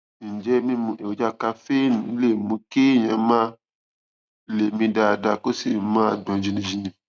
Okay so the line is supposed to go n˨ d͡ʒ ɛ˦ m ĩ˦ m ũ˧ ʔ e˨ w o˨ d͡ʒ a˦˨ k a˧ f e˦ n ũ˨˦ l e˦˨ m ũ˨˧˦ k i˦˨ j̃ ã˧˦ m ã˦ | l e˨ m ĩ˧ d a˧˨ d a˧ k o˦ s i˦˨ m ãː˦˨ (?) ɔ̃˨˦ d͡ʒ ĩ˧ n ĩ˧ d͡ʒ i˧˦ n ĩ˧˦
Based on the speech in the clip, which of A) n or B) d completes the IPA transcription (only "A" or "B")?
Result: B